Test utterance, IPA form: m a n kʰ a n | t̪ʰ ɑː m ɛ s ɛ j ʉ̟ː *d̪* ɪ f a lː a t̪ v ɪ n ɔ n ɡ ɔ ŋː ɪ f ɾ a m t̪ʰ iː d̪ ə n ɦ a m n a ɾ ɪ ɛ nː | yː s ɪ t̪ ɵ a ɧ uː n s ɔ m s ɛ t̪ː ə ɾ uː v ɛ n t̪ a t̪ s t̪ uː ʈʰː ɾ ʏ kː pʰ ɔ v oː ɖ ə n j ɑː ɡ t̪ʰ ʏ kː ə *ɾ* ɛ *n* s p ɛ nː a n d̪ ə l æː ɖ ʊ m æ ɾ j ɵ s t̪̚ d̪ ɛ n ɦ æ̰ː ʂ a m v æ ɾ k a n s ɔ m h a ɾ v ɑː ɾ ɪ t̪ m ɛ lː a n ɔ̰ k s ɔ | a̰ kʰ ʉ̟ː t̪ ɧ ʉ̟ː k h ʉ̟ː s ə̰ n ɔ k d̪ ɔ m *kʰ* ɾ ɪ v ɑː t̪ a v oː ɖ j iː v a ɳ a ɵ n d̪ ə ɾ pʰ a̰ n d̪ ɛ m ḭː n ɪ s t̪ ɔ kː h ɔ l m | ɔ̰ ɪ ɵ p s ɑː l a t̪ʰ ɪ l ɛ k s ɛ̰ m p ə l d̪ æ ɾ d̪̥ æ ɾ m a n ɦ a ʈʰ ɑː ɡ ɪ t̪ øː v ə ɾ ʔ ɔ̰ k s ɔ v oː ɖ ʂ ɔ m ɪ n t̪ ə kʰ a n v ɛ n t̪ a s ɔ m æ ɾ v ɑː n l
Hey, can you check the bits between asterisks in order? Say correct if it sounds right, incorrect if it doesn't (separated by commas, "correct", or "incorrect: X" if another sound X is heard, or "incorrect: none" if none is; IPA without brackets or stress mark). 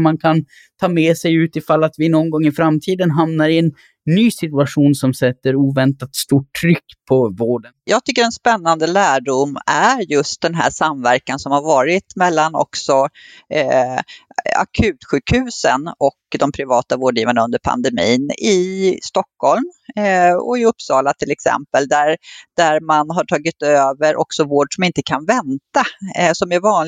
incorrect: t̪, correct, correct, incorrect: pʰ